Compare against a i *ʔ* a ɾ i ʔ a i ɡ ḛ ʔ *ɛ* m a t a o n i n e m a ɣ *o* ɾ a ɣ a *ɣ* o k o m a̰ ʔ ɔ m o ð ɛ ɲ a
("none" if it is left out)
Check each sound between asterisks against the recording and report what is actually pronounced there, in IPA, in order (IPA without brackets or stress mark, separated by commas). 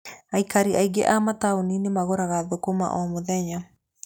k, a, o, ð